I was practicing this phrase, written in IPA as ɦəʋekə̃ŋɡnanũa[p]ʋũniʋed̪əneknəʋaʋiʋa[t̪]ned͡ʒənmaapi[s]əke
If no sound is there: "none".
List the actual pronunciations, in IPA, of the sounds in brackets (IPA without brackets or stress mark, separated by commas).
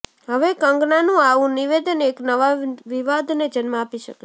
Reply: none, d̪, ʃ